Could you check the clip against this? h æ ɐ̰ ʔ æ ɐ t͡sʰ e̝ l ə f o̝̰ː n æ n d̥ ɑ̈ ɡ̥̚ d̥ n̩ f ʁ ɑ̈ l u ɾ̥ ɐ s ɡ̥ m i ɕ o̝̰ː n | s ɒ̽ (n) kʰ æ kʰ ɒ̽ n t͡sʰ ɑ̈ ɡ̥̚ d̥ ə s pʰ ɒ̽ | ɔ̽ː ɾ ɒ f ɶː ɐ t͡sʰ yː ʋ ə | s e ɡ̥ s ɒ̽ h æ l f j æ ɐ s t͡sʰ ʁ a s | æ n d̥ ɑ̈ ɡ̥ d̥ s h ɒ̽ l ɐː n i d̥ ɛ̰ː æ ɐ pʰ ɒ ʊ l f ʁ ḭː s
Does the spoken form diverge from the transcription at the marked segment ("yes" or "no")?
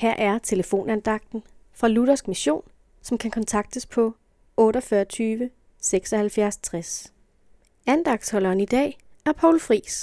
yes